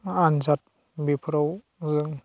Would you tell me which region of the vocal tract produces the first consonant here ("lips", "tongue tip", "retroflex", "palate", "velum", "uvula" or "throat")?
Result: tongue tip